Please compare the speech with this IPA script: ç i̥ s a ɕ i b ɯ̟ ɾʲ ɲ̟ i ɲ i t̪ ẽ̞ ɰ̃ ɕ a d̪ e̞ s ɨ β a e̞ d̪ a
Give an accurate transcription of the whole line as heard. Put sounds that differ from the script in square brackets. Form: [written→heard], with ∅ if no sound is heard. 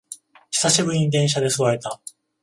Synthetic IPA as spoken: ç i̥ s a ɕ i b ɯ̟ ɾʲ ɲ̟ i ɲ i [t̪→d̪] ẽ̞ ɰ̃ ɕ a d̪ e̞ s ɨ β a e̞ [d̪→t̪] a